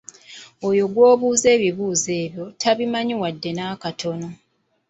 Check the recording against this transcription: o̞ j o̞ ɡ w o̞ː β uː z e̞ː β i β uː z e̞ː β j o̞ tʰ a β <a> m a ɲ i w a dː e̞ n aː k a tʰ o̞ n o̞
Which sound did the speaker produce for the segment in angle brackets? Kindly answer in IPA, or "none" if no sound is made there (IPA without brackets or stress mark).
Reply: i